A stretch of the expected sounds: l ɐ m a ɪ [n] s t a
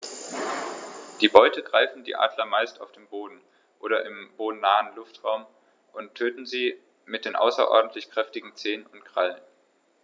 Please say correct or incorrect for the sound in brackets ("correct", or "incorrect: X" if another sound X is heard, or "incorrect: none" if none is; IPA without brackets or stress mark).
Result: incorrect: none